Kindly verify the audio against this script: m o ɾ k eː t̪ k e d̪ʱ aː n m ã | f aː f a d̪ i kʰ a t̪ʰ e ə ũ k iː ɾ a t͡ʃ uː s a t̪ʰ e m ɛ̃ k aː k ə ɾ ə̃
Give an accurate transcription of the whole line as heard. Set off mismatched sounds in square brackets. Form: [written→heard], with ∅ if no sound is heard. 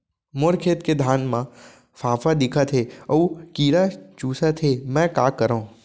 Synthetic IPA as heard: m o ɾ [k→kʰ] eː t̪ k e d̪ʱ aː n m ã | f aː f a d̪ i kʰ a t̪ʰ e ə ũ k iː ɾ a t͡ʃ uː s a t̪ʰ e m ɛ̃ k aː k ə ɾ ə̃

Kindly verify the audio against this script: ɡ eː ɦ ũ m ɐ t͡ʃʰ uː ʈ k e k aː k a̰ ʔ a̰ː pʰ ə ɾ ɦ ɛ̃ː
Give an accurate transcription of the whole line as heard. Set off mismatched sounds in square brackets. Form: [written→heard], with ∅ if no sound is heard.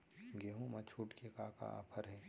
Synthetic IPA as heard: ɡ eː ɦ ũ m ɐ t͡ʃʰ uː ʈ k e k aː k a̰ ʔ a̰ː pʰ ə ɾ ɦ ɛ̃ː

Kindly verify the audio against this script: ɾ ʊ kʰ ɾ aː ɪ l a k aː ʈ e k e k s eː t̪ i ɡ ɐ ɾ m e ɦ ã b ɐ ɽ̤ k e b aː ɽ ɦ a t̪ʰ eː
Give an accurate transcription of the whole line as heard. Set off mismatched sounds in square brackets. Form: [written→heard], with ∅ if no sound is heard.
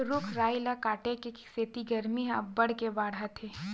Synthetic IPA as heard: ɾ ʊ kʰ ɾ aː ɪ l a k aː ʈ e k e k s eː t̪ i ɡ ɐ ɾ m [e→i] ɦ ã b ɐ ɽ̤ k e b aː ɽ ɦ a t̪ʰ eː

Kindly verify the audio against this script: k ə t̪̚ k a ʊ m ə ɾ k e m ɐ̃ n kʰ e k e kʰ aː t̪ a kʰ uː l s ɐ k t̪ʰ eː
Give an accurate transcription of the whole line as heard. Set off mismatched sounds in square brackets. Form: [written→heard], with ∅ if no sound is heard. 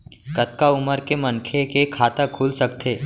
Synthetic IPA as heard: k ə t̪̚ k a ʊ m ə ɾ k e m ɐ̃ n kʰ e k e kʰ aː t̪ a kʰ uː l s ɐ k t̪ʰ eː

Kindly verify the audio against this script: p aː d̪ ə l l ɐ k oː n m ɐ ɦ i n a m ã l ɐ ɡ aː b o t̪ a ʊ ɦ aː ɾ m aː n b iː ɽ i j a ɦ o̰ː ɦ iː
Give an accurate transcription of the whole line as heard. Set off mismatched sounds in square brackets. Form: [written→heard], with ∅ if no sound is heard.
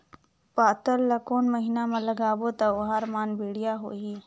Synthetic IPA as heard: p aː [d̪→t̪] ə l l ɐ k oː n m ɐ ɦ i n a m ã l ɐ ɡ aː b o t̪ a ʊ ɦ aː ɾ m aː n b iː ɽ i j a ɦ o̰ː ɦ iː

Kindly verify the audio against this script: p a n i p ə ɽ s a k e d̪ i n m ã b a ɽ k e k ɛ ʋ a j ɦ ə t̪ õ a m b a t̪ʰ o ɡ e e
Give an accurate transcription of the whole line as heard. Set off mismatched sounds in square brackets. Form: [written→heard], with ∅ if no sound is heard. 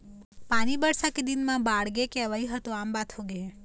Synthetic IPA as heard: p a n i [p→b] ə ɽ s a k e d̪ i n m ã b a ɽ [k→ɡ] e k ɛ ʋ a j ɦ ə t̪ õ a m b a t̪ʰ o ɡ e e

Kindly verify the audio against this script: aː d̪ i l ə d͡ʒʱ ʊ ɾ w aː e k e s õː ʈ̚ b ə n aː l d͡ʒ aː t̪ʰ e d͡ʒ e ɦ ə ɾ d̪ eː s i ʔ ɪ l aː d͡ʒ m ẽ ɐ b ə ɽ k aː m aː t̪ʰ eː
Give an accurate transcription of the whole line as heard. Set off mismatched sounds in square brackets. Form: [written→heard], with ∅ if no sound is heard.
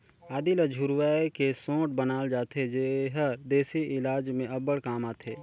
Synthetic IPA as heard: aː d̪ i l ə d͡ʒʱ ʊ ɾ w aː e k e s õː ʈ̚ b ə n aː l d͡ʒ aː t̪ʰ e d͡ʒ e ɦ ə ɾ d̪ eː s i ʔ ɪ l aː d͡ʒ m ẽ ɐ b ə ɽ k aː m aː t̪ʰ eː

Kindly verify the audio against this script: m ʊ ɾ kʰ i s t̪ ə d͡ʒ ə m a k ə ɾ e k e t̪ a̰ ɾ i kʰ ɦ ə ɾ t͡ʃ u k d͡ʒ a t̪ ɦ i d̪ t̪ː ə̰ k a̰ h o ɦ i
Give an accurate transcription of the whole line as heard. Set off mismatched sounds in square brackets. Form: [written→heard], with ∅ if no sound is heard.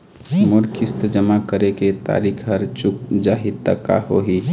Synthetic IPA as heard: m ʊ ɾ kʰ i s t̪ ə d͡ʒ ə m a k ə ɾ e k e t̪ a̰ ɾ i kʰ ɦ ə ɾ t͡ʃ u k d͡ʒ a [t̪→∅] ɦ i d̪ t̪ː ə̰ k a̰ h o ɦ i

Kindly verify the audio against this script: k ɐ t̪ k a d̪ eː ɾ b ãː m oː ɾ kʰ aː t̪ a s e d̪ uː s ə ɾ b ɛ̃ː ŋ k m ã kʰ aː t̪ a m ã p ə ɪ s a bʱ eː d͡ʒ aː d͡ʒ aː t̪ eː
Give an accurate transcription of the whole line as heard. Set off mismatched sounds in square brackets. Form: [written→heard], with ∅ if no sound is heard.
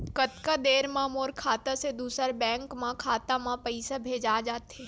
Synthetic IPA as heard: k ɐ t̪ k a d̪ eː ɾ [b→m] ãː m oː ɾ kʰ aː t̪ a s e d̪ uː s ə ɾ b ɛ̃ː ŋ k m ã kʰ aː t̪ a m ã p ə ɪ s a bʱ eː d͡ʒ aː d͡ʒ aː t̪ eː

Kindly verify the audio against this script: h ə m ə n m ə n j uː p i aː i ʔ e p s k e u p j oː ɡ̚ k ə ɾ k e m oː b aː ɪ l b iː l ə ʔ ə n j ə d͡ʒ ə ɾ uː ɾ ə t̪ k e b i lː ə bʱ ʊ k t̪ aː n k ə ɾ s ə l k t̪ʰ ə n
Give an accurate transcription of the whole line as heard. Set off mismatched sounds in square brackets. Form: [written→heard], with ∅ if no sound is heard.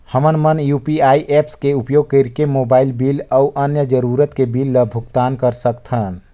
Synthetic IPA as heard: h ə m ə n m ə n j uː p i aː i ʔ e p s k e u p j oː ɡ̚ k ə ɾ k e m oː b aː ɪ l b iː l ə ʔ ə n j ə d͡ʒ ə ɾ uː ɾ ə t̪ k e b i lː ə bʱ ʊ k t̪ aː n k ə ɾ s ə [l→∅] k t̪ʰ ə n

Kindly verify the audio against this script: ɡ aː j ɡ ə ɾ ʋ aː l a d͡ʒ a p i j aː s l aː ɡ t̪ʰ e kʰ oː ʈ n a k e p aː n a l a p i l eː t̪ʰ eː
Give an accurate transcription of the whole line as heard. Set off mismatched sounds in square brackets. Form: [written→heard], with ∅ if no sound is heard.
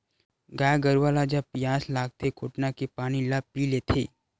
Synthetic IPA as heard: ɡ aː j ɡ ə ɾ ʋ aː l a d͡ʒ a p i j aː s l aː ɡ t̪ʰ e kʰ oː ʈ n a k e p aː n [a→i] l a p i l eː t̪ʰ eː

